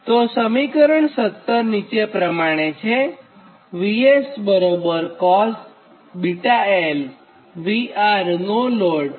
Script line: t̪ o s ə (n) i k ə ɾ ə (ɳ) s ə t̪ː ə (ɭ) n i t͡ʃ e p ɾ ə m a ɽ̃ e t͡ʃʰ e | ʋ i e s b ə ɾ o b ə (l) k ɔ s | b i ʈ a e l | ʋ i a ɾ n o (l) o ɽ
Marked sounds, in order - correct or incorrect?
incorrect: m, correct, incorrect: ɾ, incorrect: ɾ, correct

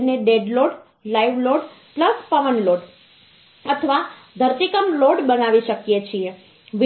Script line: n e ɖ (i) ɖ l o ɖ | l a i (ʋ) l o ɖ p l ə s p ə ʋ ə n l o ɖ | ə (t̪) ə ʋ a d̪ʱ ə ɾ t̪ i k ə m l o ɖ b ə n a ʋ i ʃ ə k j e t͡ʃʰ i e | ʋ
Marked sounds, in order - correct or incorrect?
incorrect: e, correct, incorrect: t̪ʰ

